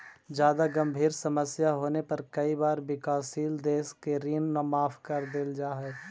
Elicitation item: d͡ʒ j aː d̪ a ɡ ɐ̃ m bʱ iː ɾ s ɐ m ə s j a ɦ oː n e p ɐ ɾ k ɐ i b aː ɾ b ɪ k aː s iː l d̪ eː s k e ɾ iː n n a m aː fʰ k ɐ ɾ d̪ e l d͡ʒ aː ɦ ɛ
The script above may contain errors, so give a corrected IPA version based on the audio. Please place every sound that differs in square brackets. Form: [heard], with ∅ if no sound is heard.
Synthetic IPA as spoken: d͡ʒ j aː d̪ a ɡ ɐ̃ m bʱ iː ɾ s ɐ m ə s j a ɦ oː n e p ɐ ɾ k ɐ i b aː ɾ b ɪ k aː s iː l d̪ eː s k e ɾ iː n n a m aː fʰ k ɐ ɾ d̪ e l d͡ʒ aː ɦ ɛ